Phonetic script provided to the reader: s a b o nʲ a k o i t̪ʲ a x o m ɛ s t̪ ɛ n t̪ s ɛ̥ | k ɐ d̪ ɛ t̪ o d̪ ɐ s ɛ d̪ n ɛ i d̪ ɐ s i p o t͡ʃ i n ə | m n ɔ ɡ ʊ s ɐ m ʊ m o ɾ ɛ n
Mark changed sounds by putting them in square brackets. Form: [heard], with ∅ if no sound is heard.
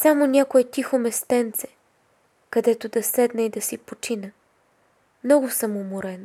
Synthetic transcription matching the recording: s a [m] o nʲ a k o [ɛ] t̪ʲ [i] x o m ɛ s t̪ ɛ n t̪ s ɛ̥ | k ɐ d̪ ɛ t̪ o d̪ ɐ s ɛ d̪ n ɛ i d̪ ɐ s i p o t͡ʃ i n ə | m n ɔ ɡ ʊ s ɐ m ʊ m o ɾ ɛ n